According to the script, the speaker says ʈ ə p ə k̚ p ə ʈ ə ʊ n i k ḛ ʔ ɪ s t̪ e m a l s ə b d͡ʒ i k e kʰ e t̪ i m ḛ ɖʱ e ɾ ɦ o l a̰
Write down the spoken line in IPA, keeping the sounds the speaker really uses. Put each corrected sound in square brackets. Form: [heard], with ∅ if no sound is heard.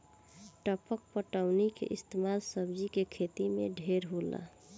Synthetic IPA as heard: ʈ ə p ə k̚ p ə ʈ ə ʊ n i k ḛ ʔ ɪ s t̪ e m a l s ə b d͡ʒ i k e kʰ e t̪ i m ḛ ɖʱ e ɾ ɦ o l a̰